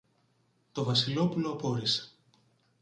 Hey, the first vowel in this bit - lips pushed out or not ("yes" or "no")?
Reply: yes